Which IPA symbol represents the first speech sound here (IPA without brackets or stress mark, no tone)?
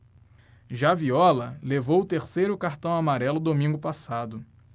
ʒ